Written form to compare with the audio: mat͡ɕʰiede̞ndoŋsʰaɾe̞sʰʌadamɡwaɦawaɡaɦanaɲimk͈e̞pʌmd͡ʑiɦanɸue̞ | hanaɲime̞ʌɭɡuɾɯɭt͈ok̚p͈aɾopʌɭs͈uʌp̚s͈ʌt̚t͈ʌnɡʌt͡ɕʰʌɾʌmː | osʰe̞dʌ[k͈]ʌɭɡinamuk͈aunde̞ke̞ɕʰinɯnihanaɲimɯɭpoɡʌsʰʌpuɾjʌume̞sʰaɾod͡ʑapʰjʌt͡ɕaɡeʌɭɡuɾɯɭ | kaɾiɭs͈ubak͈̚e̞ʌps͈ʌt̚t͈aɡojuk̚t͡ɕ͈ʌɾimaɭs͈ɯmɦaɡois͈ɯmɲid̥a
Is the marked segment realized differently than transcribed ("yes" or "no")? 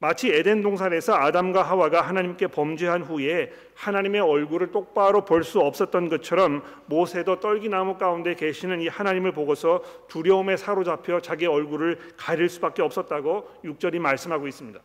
yes